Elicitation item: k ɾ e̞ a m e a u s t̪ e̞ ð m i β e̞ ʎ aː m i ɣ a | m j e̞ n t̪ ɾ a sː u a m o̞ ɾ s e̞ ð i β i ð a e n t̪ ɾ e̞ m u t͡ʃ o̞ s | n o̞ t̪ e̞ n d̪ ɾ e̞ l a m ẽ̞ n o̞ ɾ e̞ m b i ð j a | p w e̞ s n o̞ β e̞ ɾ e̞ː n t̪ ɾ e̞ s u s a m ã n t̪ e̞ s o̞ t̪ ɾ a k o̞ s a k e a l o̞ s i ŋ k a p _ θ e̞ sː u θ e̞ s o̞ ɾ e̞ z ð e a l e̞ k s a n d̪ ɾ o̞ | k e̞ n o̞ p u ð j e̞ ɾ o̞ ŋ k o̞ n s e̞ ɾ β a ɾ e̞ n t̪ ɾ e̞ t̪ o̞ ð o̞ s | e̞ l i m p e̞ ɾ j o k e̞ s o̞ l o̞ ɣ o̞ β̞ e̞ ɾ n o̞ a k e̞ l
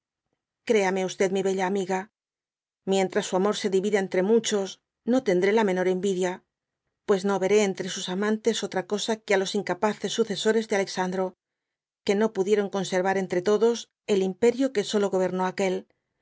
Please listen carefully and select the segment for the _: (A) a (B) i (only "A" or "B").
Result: A